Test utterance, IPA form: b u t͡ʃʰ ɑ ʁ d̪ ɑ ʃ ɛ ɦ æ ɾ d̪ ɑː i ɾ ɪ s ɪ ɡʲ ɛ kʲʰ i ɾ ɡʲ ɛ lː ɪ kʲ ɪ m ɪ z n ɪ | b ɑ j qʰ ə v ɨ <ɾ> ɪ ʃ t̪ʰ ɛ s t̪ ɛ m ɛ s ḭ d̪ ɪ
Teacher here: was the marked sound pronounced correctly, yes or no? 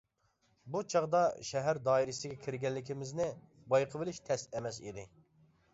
no